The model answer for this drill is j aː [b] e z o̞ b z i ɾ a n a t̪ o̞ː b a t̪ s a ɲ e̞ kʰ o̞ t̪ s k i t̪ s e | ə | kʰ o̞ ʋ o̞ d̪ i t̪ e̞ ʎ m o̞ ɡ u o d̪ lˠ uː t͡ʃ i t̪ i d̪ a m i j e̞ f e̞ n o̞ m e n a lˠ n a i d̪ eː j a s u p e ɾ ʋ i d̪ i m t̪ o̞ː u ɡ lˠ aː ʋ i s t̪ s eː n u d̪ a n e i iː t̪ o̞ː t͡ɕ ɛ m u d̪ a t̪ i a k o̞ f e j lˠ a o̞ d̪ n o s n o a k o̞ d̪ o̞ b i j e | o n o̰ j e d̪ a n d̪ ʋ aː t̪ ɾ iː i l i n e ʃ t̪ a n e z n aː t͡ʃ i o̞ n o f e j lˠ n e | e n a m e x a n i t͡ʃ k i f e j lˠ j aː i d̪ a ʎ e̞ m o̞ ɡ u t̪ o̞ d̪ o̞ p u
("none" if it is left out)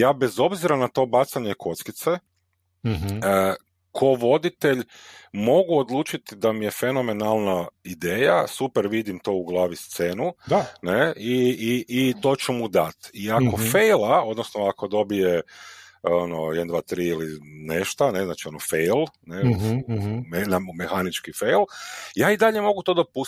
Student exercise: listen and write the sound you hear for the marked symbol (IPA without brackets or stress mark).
b